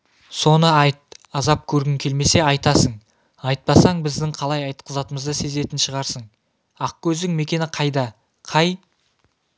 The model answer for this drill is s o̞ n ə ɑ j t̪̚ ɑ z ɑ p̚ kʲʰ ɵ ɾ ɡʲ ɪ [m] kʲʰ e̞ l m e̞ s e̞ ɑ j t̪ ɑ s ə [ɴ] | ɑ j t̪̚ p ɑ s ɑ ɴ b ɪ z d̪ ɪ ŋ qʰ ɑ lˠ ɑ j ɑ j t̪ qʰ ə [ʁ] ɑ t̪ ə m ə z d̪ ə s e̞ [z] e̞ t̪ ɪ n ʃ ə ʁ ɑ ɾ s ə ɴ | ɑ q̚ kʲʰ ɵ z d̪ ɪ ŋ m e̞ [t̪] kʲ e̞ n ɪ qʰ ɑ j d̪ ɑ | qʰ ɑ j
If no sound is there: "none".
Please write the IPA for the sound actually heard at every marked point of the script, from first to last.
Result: ŋ, ɴ, z, z, none

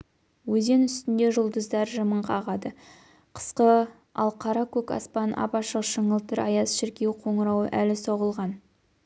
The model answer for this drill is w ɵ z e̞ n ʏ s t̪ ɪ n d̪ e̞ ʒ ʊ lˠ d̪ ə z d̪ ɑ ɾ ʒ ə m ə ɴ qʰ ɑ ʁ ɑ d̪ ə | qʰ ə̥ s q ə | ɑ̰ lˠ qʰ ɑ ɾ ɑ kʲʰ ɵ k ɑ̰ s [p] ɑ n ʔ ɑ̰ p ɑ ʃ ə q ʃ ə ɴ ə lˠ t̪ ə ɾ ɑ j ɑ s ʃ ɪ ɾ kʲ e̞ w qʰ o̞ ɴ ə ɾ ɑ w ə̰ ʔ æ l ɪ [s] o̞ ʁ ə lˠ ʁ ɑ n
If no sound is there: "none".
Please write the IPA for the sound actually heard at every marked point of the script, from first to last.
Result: p, s

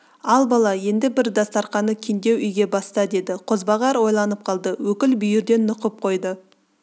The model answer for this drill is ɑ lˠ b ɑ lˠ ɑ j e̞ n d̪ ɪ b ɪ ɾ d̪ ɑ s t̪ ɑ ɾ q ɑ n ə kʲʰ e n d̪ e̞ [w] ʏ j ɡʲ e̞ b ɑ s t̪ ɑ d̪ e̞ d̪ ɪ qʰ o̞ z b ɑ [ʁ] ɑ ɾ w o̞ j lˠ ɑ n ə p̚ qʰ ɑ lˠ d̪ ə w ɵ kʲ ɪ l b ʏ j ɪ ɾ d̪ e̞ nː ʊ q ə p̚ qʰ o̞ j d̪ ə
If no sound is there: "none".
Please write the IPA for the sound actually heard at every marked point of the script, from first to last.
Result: w, ʁ

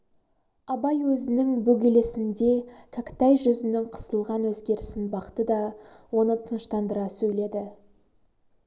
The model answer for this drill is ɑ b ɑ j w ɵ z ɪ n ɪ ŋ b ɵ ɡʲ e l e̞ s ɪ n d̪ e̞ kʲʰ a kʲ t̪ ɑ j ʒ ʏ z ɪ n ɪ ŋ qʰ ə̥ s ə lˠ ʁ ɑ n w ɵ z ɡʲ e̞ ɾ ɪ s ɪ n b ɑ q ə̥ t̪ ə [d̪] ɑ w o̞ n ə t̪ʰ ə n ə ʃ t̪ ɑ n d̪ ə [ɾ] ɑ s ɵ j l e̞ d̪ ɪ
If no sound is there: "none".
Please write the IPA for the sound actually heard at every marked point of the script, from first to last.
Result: d̪, ɾ

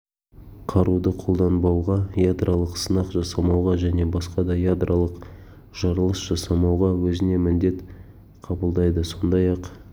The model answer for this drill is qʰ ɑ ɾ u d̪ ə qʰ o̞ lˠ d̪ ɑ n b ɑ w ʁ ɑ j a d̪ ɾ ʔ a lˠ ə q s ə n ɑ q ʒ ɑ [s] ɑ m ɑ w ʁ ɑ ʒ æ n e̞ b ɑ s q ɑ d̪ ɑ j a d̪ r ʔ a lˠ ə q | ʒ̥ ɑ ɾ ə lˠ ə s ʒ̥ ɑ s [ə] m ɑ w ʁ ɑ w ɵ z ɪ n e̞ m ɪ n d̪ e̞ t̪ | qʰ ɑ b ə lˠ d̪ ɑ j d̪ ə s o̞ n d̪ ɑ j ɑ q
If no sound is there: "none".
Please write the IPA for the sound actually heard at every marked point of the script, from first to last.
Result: s, ɑ

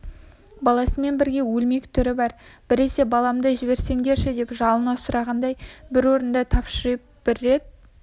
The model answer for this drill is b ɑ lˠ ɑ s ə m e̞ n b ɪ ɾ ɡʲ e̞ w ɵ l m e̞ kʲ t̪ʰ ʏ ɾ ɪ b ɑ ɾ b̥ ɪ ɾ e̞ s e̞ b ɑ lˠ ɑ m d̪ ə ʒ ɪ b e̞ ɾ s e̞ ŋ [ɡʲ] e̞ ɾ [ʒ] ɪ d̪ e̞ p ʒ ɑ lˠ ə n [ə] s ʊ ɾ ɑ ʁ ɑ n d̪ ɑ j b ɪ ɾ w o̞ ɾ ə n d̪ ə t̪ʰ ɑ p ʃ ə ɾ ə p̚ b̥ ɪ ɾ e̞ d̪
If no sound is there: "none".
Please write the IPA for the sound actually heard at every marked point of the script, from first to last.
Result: ɡʲ, ʃ, ɑ

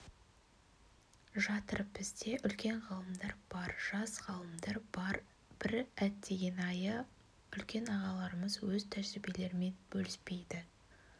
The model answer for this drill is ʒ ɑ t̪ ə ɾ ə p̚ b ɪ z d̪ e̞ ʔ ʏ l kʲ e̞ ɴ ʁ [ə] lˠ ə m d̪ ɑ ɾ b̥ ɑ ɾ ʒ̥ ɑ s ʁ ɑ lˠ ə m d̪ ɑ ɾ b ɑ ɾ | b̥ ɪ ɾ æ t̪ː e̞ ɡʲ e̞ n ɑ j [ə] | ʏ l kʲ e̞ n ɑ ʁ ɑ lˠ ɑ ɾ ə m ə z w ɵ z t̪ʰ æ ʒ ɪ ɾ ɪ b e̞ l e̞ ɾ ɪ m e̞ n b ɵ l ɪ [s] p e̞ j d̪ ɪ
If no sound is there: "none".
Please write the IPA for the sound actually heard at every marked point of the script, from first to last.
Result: ɑ, ə, s

